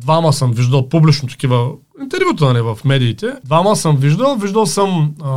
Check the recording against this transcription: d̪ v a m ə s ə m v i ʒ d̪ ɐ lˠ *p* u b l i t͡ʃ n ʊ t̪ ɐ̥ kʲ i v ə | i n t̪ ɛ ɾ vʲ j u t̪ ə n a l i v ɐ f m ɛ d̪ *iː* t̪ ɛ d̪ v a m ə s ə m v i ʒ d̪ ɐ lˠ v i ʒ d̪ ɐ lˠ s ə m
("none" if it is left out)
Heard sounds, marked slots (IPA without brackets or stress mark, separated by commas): p, iː